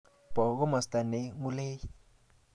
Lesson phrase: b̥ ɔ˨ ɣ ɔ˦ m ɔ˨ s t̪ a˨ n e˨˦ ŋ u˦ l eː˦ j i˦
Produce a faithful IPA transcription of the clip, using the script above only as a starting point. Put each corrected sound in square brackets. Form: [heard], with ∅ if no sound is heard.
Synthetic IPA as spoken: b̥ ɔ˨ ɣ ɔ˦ m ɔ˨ s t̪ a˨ n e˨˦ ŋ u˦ l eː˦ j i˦